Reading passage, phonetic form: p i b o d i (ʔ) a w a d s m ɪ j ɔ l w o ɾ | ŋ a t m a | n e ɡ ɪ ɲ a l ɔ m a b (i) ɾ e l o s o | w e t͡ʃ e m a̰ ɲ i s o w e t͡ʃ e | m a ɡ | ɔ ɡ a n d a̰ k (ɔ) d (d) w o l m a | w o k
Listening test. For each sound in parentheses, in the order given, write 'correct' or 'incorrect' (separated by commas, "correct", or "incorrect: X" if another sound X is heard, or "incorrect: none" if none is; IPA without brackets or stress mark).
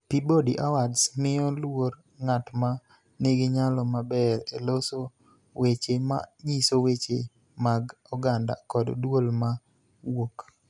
correct, incorrect: ɛ, correct, correct